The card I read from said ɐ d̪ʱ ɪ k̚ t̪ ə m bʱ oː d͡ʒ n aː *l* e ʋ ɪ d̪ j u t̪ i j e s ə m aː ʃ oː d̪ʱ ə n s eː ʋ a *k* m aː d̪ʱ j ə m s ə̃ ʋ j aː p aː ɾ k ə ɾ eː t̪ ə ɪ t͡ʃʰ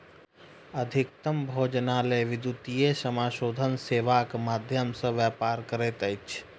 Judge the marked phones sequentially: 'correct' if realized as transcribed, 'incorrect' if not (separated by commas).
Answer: correct, correct